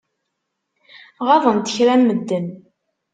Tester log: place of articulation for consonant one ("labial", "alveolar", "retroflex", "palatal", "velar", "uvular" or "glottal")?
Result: uvular